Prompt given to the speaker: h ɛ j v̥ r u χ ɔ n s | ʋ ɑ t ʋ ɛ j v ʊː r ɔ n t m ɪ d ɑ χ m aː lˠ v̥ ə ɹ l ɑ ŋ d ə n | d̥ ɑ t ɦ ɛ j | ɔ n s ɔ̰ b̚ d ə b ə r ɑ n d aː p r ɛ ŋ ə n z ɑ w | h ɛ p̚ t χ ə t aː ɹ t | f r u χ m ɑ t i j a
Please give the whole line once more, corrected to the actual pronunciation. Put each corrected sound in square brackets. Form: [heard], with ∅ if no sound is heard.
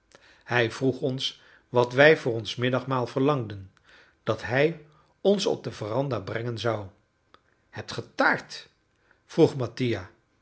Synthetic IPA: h ɛ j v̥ r u χ ɔ n s | ʋ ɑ t ʋ ɛ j v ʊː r ɔ n [s] m ɪ d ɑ χ m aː lˠ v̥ ə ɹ l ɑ ŋ d ə n | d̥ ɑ t ɦ ɛ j | ɔ n s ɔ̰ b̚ d ə [v] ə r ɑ n d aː [b] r ɛ ŋ ə n z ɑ w | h ɛ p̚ t χ ə t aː ɹ t | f r u χ m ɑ t i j a